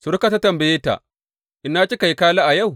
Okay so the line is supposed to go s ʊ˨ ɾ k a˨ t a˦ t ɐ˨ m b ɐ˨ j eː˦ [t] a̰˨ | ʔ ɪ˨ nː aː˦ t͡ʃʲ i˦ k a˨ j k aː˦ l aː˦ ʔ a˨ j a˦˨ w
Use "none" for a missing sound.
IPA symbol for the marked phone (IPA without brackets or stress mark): t